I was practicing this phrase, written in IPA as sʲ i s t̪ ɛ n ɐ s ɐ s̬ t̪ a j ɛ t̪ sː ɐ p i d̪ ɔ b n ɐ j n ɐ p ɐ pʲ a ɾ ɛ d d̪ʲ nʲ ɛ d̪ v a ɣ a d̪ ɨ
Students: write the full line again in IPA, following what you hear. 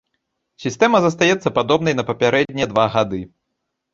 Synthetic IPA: sʲ i s t̪ ɛ m ɐ z ɐ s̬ t̪ a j ɛ t̪ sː ɐ p a d̪ ɔ b n ɐ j n ɐ p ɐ pʲ a ɾ ɛ d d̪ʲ nʲ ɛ d̪ v a ɣ a d̪ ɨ